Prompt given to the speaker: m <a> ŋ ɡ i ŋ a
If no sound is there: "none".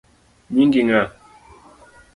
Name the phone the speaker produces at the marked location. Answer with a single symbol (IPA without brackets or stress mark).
i